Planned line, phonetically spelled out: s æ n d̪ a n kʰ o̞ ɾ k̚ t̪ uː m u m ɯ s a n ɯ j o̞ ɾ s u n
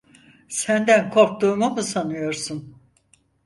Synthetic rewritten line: s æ n d̪ æ n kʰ o̞ ɾ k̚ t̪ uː m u m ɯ s a n ɯ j o̞ ɾ s u n